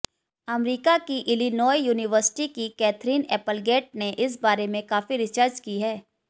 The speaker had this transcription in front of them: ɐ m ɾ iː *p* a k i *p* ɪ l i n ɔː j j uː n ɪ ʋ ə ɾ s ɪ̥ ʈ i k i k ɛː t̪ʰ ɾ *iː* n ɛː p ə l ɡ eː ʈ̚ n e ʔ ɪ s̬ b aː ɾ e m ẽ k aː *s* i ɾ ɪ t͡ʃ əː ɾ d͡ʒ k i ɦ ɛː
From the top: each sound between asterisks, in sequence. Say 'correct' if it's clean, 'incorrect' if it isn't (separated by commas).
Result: incorrect, incorrect, correct, incorrect